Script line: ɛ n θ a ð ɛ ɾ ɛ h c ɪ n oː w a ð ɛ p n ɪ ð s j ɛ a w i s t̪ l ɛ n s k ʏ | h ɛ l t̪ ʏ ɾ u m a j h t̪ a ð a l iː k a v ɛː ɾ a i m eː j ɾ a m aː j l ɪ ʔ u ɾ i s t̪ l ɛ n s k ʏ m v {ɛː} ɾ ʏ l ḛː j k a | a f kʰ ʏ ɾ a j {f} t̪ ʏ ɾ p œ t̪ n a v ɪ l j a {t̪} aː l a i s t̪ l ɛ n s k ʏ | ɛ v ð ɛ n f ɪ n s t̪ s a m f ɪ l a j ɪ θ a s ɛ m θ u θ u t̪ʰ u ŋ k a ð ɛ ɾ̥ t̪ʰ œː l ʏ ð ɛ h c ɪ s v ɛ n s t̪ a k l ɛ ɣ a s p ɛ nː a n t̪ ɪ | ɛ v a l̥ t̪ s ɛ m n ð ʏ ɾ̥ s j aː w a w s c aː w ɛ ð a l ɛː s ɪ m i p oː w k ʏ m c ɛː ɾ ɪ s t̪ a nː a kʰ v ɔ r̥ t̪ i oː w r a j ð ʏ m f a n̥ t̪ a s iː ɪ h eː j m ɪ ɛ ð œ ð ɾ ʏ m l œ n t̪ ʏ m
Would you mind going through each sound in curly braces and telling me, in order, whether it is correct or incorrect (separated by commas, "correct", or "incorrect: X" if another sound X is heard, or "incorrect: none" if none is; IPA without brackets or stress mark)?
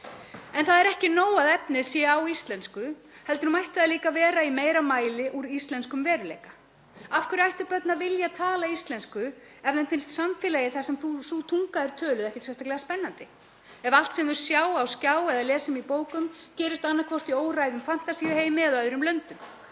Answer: correct, incorrect: h, incorrect: t̪ʰ